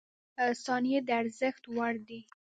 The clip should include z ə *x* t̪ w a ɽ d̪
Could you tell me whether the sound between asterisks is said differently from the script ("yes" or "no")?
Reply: no